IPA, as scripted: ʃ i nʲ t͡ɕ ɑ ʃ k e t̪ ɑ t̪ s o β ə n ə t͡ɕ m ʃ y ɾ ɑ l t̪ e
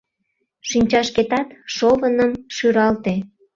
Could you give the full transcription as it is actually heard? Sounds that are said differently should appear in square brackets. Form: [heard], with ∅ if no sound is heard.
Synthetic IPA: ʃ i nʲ t͡ɕ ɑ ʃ k e t̪ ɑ t̪ [ʃ] o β ə n ə [∅] m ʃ y ɾ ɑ l t̪ e